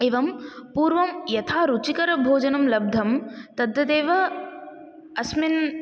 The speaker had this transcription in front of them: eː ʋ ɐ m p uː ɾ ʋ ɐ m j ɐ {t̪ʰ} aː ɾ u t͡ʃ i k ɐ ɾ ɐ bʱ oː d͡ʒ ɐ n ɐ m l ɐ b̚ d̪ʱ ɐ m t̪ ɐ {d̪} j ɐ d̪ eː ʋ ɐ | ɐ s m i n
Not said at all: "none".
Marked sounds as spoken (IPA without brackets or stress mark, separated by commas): t̪ʰ, d̪